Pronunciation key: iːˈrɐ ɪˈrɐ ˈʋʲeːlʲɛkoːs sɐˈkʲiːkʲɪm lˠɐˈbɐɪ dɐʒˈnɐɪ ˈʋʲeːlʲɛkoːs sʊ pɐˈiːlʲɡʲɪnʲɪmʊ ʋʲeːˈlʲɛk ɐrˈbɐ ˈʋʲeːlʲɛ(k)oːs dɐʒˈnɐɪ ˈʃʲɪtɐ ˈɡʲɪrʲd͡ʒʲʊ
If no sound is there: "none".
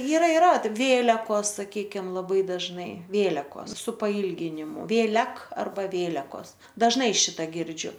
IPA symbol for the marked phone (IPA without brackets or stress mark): k